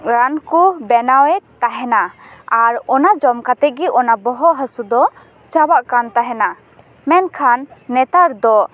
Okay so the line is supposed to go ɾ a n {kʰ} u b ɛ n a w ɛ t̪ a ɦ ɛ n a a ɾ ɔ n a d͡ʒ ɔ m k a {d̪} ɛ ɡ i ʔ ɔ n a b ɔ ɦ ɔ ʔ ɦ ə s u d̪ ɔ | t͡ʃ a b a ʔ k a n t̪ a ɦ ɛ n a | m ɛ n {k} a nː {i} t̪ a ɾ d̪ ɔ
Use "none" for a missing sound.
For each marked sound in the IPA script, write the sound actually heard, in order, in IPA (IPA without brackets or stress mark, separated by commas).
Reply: k, t̪, kʰ, ɛ